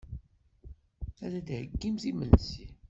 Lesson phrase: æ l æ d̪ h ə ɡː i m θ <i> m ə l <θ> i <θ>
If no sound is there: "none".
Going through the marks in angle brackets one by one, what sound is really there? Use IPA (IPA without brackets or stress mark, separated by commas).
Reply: i, s, none